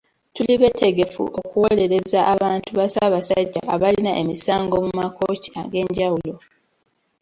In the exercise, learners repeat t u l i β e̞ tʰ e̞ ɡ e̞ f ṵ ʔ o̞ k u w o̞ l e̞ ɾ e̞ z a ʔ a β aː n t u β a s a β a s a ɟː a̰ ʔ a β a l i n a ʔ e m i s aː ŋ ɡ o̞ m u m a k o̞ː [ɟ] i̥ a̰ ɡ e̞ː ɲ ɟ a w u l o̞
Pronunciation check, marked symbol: incorrect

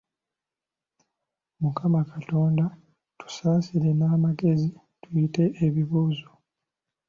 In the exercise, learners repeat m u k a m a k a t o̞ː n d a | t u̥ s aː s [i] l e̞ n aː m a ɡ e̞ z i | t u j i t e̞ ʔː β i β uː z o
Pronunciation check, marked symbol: correct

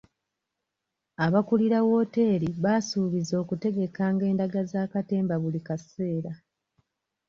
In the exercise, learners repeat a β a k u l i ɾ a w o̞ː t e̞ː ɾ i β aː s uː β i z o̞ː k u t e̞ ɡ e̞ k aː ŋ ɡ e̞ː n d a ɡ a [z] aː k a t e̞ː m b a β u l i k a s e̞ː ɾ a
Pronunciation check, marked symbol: correct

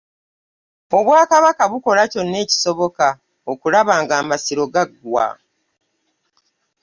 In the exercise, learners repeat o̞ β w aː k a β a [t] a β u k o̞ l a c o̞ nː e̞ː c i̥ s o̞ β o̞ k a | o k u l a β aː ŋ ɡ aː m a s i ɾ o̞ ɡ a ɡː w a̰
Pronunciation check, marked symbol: incorrect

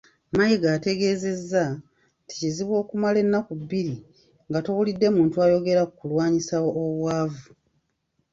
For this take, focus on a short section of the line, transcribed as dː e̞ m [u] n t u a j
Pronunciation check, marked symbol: incorrect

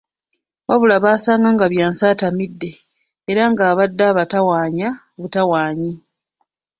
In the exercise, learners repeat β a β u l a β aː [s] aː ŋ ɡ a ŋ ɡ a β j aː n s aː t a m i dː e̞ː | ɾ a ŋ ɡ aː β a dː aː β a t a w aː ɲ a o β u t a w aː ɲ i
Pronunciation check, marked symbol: correct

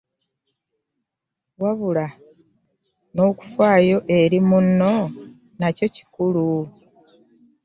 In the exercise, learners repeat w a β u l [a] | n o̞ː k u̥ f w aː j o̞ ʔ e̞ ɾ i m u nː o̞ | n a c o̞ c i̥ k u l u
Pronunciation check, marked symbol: correct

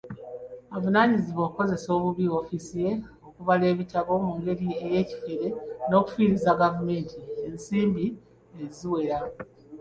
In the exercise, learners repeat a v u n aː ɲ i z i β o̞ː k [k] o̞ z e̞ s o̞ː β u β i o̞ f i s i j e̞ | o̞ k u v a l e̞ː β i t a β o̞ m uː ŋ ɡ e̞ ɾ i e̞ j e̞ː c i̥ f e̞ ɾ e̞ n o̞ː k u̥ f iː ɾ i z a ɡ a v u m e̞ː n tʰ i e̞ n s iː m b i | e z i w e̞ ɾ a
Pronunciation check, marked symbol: correct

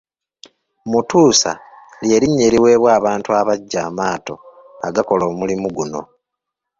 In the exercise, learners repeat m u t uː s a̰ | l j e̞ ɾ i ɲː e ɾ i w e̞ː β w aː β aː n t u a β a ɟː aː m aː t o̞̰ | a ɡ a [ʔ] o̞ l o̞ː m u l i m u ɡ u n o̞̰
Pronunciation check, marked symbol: incorrect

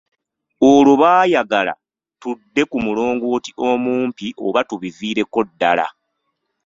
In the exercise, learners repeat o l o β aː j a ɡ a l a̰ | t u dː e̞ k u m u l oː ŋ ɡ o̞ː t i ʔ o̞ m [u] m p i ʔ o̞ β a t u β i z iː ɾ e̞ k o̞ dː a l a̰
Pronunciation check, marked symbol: incorrect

